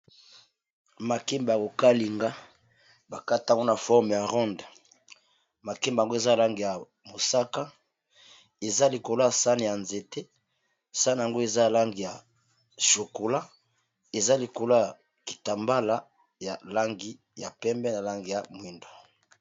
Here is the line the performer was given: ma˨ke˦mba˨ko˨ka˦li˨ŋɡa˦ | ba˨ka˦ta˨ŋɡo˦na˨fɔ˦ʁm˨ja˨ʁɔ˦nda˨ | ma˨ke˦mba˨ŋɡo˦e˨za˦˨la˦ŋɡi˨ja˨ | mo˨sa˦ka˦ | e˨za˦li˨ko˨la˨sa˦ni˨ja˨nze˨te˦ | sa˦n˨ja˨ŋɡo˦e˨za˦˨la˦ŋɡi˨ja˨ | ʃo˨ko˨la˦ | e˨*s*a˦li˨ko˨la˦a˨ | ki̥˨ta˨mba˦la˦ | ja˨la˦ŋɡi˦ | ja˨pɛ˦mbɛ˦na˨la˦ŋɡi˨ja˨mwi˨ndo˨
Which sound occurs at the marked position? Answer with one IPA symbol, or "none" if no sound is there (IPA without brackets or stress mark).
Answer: z